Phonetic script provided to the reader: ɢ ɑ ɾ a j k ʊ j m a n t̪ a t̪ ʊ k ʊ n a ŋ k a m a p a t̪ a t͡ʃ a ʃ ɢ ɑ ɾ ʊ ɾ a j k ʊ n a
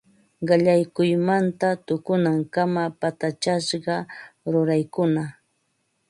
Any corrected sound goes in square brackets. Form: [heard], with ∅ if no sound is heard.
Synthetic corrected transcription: ɢ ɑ [ʎ] a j k ʊ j m a n t̪ a t̪ ʊ k ʊ n a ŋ k a m a p a t̪ a t͡ʃ a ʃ ɢ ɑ ɾ ʊ ɾ a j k ʊ n a

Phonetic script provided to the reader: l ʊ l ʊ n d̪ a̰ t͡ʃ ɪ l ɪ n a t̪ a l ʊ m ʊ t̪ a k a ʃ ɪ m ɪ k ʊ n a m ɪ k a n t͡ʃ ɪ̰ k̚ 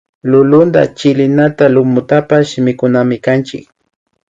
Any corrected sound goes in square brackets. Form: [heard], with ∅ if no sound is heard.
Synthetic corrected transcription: l ʊ l ʊ n d̪ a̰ t͡ʃ ɪ l ɪ n a t̪ a l ʊ m ʊ t̪ a [p] a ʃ ɪ m ɪ k ʊ n a m ɪ k a n t͡ʃ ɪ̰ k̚

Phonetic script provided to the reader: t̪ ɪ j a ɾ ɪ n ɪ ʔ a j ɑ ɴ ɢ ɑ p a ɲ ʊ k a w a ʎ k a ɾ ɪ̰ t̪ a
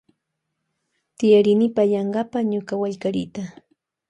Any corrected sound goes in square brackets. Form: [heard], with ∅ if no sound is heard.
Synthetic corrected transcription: t̪ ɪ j a ɾ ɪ n ɪ [p] a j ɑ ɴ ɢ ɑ p a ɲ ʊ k a w a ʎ k a ɾ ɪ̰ t̪ a

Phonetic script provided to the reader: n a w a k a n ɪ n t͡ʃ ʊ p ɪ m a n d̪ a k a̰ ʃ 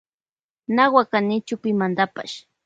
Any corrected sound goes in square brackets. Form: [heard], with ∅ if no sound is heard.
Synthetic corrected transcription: n a w a k a n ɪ [∅] t͡ʃ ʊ p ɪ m a n d̪ a [p] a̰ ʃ

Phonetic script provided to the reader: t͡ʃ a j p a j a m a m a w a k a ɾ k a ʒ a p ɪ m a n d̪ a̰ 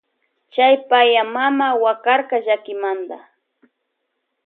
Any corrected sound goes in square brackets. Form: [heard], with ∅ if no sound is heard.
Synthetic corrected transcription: t͡ʃ a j p a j a m a m a w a k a ɾ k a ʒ a [k] ɪ m a n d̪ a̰

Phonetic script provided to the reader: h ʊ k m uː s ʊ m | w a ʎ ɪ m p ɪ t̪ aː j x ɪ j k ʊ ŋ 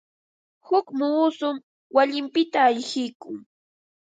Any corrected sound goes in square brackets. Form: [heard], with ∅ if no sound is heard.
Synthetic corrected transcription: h ʊ k m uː s ʊ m | w a ʎ ɪ m p ɪ t̪ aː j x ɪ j k ʊ ŋ

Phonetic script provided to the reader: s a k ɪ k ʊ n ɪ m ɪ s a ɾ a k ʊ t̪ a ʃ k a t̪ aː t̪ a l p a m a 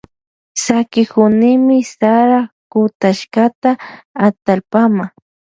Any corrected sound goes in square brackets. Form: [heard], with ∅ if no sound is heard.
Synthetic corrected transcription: s a k ɪ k ʊ n ɪ m ɪ s a ɾ a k ʊ t̪ a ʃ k a t̪ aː t̪ a l p a m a

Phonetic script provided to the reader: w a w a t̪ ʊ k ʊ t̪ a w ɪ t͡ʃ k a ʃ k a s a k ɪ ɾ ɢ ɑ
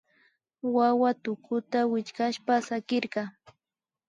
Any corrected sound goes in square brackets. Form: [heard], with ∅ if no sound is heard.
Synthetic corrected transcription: w a w a t̪ ʊ k ʊ t̪ a w ɪ t͡ʃ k a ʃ [p] a s a k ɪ ɾ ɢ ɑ

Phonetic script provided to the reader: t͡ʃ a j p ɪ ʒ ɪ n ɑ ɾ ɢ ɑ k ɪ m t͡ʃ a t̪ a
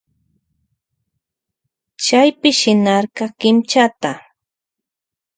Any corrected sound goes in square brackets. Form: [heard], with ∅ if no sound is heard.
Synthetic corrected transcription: t͡ʃ a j p ɪ [ʃ] ɪ n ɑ ɾ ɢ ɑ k ɪ m t͡ʃ a t̪ a

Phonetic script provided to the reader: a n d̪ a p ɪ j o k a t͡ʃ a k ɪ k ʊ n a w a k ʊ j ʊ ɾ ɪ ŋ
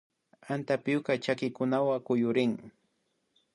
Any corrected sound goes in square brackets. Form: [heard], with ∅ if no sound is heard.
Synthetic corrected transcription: a n [t̪] a p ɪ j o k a t͡ʃ a k ɪ k ʊ n a w a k ʊ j ʊ ɾ ɪ ŋ

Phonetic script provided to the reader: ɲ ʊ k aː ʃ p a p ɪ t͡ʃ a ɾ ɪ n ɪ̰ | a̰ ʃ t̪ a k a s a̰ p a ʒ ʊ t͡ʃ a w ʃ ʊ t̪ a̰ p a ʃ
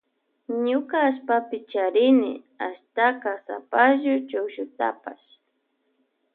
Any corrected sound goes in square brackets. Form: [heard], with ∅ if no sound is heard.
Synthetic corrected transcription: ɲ ʊ k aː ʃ p a p ɪ t͡ʃ a ɾ ɪ n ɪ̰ | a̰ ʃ t̪ a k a s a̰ p a ʒ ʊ t͡ʃ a w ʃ ʊ t̪ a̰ p a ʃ

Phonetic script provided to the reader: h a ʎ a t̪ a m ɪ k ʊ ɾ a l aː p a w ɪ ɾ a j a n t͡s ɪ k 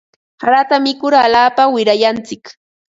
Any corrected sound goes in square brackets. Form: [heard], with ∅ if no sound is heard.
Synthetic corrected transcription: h a [ɾ] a t̪ a m ɪ k ʊ ɾ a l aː p a w ɪ ɾ a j a n t͡s ɪ k

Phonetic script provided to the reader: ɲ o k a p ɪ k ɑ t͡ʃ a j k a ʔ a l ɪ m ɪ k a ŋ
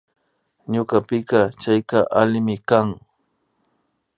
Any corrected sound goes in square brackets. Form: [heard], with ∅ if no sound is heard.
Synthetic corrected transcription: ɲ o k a p ɪ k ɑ t͡ʃ a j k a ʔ a l ɪ m ɪ k a ŋ

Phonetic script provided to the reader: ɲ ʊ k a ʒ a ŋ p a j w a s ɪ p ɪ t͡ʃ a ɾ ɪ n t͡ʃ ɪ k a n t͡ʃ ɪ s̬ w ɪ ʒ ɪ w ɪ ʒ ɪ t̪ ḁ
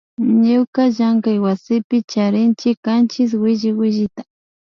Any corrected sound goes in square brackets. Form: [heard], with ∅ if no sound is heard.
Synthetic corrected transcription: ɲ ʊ k a ʒ a ŋ [k] a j w a s ɪ p ɪ t͡ʃ a ɾ ɪ n t͡ʃ ɪ k a n t͡ʃ ɪ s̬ w ɪ ʒ ɪ w ɪ ʒ ɪ t̪ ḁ

